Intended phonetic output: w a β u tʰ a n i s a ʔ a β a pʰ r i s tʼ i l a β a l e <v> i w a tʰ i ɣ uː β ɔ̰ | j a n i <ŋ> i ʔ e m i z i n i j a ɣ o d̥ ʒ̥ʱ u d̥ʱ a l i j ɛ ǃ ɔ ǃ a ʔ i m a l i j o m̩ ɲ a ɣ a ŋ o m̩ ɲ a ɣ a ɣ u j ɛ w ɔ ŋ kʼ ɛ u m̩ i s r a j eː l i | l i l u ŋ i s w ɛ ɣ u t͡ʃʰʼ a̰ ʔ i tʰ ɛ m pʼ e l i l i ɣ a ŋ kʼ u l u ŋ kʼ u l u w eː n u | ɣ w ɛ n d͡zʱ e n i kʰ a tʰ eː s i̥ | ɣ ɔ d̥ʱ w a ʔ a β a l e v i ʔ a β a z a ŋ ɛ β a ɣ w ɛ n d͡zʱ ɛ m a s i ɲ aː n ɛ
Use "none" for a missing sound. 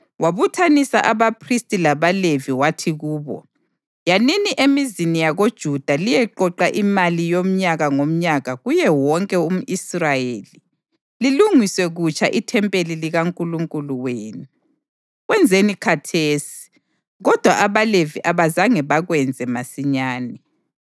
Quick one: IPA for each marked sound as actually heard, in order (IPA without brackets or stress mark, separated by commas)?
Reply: v, n